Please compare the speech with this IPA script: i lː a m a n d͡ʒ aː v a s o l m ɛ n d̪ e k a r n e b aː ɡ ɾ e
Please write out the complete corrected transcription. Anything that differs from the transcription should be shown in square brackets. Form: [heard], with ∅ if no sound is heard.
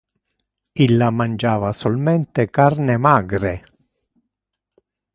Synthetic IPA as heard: i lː a m a n d͡ʒ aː v a s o l m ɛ n [t̪] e k a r n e [m] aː ɡ ɾ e